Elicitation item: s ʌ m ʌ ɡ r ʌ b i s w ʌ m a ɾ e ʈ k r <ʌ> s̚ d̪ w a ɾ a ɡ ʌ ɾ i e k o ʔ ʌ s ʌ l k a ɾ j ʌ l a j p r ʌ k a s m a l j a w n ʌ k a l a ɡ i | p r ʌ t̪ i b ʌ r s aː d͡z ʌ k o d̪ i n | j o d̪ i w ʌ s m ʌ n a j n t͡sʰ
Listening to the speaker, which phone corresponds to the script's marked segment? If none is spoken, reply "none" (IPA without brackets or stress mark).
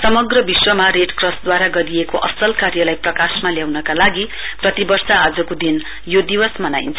ʌ